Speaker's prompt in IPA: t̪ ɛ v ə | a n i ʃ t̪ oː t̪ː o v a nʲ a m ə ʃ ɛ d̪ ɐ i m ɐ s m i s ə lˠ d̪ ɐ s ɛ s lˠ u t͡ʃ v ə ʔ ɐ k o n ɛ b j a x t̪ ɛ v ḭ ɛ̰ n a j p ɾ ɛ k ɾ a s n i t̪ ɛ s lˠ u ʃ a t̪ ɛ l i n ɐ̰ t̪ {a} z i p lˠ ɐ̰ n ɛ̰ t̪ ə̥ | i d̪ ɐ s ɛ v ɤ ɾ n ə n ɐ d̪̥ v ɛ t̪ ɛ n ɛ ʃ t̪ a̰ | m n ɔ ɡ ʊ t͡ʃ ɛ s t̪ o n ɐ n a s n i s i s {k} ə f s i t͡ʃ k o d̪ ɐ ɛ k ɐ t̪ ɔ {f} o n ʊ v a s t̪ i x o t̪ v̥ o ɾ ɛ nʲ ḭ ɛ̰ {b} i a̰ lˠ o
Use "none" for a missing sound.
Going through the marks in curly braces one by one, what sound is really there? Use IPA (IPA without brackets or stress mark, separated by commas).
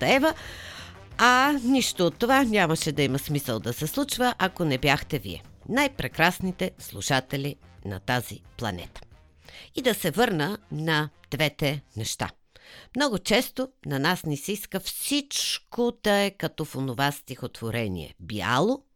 a, k, f, b